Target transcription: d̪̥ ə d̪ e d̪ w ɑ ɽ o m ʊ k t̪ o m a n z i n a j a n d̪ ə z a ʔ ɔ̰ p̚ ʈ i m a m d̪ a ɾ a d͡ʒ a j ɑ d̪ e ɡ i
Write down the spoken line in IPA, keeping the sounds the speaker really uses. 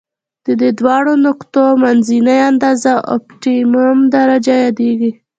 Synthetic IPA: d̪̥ ə d̪ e d̪ w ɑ ɽ o n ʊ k t̪ o m a n z i n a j a n d̪ ɑ z a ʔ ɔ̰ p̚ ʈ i m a m d̪ a ɾ a d͡ʒ a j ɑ d̪ e ɡ i